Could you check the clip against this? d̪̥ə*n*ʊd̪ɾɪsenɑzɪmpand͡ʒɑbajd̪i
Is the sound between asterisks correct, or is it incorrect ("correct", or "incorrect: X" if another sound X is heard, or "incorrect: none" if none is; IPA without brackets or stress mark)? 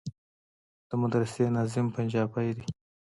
incorrect: m